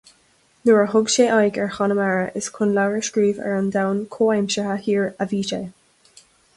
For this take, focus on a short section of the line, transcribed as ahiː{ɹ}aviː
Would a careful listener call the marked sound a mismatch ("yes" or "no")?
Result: no